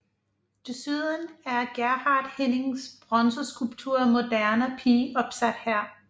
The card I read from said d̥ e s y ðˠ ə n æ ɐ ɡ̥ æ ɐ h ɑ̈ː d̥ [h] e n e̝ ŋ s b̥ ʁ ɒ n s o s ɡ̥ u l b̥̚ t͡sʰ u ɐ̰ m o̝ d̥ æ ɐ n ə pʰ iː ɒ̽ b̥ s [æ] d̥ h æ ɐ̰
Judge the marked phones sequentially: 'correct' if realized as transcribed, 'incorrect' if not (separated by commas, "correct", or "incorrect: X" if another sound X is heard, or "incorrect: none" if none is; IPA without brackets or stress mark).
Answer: correct, correct